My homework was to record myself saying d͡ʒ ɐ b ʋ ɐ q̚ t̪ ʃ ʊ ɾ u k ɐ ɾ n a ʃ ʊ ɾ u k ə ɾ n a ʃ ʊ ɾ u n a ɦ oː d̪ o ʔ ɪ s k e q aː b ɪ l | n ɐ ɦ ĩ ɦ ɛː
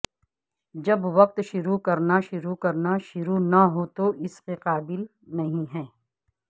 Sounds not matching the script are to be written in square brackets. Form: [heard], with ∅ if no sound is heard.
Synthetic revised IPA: d͡ʒ ɐ b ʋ ɐ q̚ t̪ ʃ ʊ ɾ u k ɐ ɾ n a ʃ ʊ ɾ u k [ɐ] ɾ n a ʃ ʊ ɾ u n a ɦ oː [t̪] o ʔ ɪ s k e q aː b ɪ l | n ɐ ɦ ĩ ɦ ɛː